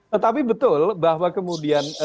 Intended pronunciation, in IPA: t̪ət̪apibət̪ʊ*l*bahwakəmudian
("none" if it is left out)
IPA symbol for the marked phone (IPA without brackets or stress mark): l